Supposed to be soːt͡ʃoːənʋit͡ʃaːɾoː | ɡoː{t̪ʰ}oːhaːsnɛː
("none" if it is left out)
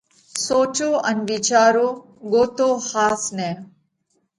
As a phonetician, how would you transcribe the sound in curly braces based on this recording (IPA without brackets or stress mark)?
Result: t̪